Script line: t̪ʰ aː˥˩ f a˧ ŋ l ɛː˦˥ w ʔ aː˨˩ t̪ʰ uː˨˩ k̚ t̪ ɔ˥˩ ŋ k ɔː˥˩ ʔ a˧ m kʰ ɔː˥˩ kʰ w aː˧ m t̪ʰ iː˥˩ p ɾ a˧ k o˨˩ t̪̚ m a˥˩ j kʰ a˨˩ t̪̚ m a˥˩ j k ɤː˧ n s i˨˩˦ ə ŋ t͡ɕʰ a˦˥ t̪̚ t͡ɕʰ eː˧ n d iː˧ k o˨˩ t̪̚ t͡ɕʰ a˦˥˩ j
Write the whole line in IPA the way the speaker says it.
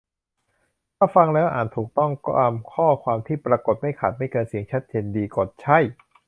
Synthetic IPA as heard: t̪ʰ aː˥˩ f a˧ ŋ l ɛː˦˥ w ʔ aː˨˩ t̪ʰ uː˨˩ k̚ t̪ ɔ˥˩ ŋ k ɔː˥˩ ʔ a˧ m kʰ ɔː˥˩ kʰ w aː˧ m t̪ʰ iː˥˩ p ɾ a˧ k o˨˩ t̪̚ m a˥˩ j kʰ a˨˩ t̪̚ m a˥˩ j k ɤː˧ n s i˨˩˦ ə ŋ t͡ɕʰ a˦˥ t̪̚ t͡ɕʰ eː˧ n d iː˧ k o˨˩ t̪̚ t͡ɕʰ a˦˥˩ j